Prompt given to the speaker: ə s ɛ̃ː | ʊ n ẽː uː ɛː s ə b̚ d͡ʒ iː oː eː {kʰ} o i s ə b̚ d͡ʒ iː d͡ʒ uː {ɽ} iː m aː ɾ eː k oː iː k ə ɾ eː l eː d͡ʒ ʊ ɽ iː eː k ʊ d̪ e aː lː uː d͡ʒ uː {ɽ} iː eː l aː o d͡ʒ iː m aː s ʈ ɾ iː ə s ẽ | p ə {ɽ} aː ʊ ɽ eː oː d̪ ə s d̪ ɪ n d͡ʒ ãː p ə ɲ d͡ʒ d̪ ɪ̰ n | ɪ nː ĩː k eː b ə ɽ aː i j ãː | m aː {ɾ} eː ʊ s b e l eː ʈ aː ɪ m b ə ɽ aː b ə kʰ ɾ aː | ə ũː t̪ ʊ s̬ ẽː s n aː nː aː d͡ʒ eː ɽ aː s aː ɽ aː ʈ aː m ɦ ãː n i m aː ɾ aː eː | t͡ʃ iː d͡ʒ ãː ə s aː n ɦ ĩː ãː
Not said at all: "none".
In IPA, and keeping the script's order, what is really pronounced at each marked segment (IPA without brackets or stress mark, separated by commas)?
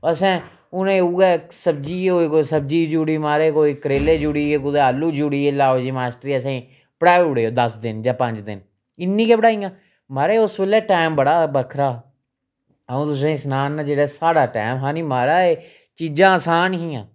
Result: k, ɽ, ɽ, ɽ, ɾ